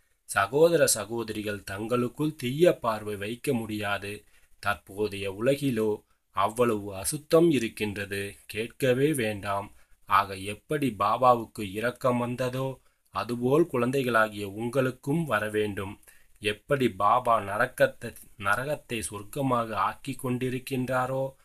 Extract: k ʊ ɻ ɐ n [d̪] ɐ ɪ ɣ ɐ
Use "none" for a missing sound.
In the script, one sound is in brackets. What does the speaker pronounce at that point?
d̪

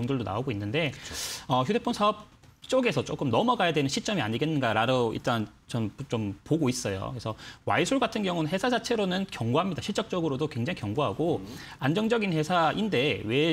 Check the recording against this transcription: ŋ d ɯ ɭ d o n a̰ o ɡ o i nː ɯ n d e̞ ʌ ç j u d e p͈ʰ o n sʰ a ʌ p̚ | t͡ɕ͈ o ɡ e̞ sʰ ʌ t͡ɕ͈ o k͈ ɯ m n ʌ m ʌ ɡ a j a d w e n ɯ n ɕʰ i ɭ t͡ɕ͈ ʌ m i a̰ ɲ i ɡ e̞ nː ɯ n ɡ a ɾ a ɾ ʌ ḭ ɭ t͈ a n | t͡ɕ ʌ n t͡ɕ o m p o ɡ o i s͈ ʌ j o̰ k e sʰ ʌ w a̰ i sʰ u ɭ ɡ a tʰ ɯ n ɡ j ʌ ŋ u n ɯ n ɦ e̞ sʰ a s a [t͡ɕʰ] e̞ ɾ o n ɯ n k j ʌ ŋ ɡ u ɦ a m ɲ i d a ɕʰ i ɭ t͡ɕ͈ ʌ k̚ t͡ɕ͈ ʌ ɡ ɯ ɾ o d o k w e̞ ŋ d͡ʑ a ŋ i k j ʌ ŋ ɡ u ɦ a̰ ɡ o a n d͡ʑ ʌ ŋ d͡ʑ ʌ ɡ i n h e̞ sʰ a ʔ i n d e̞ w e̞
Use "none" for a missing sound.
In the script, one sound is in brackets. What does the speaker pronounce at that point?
t͡ɕʰ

